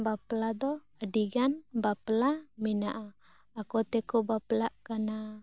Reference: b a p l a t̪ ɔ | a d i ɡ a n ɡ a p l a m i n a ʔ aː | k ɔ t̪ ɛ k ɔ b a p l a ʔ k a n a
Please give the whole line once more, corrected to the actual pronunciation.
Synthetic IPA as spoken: b a p l a d̪ ɔ | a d i ɡ a n b a p l a m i n a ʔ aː | k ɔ t̪ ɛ k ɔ b a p l a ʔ k a n a